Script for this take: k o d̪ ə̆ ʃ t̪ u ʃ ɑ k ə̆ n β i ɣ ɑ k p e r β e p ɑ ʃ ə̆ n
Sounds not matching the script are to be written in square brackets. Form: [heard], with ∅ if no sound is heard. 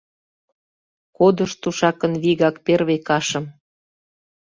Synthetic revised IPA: k o d̪ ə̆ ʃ t̪ u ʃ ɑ k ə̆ n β i ɣ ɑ k p e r β e [k] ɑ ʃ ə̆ [m]